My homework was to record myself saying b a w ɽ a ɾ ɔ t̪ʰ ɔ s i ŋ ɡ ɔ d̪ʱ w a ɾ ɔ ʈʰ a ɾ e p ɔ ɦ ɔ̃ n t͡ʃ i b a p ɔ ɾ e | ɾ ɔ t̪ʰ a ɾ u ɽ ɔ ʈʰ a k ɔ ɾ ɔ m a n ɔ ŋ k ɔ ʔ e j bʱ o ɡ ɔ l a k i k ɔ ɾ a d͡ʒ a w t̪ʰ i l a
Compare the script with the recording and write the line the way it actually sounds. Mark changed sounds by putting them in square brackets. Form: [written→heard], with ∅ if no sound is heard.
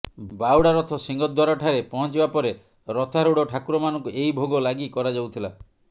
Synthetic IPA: b a w ɽ a ɾ ɔ t̪ʰ ɔ s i ŋ ɡ ɔ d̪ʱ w a ɾ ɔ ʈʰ a ɾ e p ɔ ɦ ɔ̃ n t͡ʃ i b a p ɔ ɾ e | ɾ ɔ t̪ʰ a ɾ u ɽ ɔ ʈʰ a k [ɔ→u] ɾ ɔ m a n ɔ ŋ k [ɔ→u] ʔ e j bʱ o ɡ ɔ l a [k→ɡ] i k ɔ ɾ a d͡ʒ a w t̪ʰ i l a